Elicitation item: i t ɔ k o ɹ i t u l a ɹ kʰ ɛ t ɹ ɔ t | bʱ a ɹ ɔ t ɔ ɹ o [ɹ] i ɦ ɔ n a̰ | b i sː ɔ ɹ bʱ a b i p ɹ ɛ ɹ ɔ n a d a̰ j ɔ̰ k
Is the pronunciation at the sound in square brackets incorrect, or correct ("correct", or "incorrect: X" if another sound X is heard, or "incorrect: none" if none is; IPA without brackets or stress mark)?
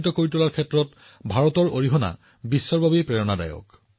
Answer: correct